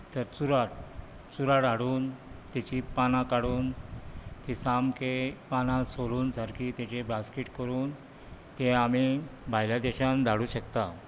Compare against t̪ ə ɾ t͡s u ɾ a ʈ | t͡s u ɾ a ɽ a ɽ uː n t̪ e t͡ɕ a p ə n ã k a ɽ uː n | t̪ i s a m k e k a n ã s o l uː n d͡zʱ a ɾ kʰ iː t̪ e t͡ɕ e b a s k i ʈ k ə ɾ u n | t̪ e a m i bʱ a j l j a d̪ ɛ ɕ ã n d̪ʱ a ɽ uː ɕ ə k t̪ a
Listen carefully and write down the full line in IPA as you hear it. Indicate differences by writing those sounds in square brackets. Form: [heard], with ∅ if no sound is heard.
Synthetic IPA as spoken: t̪ ə ɾ t͡s u ɾ a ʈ | t͡s u ɾ a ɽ a ɽ uː n t̪ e t͡ɕ [i] p [a] n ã k a ɽ uː n | t̪ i s a m k e [p] a n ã s o l uː n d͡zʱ a ɾ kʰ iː t̪ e t͡ɕ e b a s k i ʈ k ə ɾ [uː] n | t̪ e a m i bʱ a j l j a d̪ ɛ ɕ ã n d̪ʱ a ɽ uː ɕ ə k t̪ a